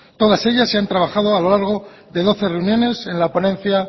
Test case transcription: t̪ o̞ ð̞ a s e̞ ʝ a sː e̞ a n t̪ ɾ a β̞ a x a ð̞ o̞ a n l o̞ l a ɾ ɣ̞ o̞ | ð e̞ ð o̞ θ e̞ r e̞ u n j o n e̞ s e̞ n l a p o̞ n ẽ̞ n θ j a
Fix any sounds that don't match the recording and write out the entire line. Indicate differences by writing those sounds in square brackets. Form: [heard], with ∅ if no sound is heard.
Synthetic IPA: t̪ o̞ ð̞ a s e̞ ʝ a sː e̞ a n t̪ ɾ a β̞ a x a ð̞ o̞ a [∅] l o̞ l a ɾ ɣ̞ o̞ | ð e̞ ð o̞ θ e̞ r e̞ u n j o n e̞ s e̞ n l a p o̞ n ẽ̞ n θ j a